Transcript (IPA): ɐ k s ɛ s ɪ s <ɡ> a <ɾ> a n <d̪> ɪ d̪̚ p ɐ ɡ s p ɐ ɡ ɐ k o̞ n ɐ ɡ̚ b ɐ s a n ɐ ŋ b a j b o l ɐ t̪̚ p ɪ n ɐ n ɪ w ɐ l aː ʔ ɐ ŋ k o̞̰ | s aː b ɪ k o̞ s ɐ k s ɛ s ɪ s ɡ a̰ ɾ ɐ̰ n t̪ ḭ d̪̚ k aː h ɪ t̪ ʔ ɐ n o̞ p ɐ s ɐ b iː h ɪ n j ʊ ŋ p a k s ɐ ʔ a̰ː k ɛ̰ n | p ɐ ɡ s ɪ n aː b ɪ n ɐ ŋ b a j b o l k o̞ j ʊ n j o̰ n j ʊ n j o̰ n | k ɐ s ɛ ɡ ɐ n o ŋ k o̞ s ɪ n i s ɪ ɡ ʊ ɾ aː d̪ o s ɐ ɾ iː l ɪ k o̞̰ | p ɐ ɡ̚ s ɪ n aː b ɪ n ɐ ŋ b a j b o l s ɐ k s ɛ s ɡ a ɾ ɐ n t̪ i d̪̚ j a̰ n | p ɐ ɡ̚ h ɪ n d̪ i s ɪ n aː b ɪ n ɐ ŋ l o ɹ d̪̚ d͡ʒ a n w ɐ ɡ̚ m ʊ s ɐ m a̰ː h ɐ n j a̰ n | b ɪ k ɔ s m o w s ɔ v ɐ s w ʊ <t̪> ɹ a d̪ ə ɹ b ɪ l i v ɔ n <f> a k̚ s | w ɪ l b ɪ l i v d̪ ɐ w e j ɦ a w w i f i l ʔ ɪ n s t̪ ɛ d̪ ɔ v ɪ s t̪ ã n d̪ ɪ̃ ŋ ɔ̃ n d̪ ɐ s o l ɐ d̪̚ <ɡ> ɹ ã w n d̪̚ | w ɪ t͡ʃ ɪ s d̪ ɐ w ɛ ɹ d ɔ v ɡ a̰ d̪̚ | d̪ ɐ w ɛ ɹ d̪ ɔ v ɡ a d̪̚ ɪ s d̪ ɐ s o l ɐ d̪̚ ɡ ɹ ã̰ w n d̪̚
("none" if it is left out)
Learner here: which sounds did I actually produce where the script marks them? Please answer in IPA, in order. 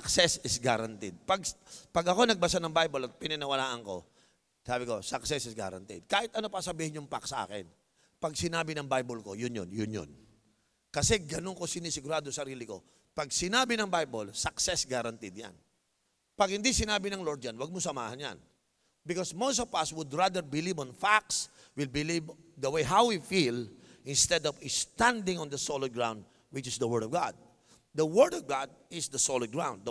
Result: ɡ, ɾ, t̪, d̪, f, ɡ

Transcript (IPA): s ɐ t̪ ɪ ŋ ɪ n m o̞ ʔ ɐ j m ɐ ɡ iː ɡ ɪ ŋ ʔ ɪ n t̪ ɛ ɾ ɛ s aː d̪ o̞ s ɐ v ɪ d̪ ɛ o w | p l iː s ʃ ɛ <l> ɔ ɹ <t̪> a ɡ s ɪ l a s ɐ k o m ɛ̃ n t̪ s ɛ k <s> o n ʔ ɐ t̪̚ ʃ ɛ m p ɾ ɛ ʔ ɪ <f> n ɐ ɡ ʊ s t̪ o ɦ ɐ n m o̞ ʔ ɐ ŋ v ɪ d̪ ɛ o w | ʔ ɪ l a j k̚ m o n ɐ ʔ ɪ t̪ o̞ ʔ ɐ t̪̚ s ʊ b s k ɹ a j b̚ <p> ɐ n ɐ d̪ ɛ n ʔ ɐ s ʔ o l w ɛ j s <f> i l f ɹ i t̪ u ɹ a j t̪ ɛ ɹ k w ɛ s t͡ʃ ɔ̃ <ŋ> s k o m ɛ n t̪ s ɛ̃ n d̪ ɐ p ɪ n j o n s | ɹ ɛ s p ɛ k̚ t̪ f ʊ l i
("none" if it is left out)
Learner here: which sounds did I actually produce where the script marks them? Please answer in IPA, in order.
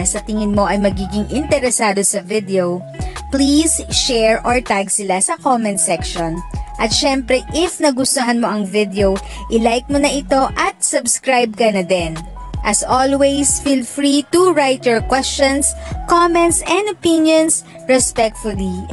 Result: ɹ, t̪, ʃ, f, k, f, n

